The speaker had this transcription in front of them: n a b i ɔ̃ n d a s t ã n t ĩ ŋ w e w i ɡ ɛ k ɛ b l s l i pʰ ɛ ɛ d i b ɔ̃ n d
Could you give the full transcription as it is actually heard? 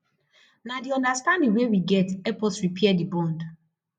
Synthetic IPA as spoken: n a d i ɔ̃ n d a s t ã n d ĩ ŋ w e w i ɡ ɛ t ɛ p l s ɹ i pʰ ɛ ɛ d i b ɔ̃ n d